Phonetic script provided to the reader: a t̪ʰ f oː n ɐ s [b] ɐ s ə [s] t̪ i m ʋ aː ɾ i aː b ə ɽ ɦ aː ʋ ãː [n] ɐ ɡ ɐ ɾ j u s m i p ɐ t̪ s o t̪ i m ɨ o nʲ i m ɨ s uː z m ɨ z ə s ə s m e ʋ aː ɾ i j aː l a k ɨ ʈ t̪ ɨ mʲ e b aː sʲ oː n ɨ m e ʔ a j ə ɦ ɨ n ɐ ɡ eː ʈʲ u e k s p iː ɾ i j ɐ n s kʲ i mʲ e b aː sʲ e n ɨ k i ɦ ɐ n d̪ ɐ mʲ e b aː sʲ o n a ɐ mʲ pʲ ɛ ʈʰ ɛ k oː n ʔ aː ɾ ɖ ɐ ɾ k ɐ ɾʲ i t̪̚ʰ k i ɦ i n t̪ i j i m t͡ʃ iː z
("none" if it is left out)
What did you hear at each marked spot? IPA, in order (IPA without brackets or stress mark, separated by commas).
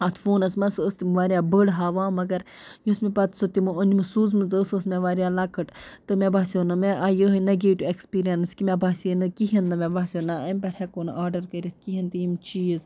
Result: m, s, m